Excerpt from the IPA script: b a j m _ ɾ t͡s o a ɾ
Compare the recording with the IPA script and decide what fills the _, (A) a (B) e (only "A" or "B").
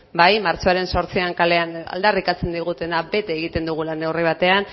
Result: A